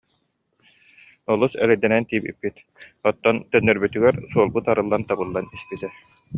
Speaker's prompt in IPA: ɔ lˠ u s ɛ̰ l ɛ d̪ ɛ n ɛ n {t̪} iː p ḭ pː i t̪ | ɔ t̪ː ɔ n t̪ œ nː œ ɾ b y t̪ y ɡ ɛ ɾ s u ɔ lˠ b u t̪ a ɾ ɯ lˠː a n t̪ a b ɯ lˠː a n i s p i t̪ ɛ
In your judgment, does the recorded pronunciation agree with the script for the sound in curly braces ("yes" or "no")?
yes